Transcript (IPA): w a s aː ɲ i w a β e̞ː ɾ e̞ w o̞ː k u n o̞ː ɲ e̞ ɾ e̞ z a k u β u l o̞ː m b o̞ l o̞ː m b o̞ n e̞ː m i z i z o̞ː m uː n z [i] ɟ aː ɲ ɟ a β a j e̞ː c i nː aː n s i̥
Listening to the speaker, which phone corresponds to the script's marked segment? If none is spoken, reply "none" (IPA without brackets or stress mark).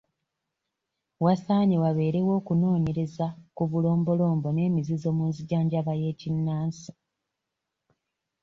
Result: i